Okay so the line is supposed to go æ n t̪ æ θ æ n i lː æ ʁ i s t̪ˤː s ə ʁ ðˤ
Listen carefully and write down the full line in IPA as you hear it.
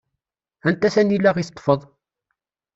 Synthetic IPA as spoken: æ n t̪ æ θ æ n i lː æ ʁ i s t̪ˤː f ə ðˤ